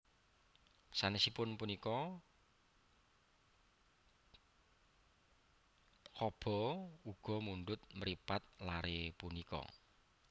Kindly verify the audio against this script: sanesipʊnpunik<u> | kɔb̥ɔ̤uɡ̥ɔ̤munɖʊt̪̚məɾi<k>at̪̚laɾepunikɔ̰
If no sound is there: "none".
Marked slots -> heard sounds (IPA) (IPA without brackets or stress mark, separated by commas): ɔ, p